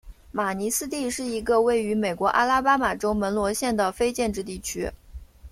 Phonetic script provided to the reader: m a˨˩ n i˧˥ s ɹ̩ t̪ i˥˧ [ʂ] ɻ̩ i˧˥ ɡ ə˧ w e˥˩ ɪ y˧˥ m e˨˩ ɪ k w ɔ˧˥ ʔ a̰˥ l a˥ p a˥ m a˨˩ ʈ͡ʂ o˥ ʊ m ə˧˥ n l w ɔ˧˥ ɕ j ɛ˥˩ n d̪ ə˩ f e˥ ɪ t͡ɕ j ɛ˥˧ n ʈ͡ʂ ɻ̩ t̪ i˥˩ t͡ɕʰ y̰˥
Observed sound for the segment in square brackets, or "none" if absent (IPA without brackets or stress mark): ʂ